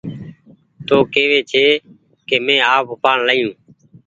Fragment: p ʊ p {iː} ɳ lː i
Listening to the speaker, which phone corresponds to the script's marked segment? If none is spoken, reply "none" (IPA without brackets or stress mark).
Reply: aː